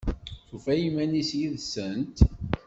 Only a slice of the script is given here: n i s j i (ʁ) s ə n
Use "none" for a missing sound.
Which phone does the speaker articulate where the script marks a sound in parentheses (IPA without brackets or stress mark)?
ð